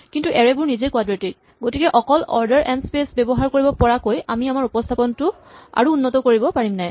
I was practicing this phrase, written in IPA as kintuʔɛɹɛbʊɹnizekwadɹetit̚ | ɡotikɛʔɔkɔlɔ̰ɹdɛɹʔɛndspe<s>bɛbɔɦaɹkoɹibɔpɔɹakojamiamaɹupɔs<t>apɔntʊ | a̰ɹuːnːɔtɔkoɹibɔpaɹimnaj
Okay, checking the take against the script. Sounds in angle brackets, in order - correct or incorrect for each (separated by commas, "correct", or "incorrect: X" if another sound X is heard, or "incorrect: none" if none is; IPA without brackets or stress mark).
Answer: correct, incorrect: tʰ